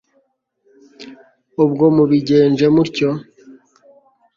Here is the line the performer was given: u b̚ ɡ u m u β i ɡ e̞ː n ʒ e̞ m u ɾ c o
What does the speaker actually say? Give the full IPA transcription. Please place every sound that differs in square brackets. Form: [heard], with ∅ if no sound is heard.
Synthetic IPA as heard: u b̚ ɡ [o] m u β i [ɟ] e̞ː n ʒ e̞ m u ɾ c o